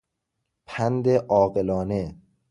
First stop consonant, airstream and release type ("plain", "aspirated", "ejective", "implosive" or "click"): aspirated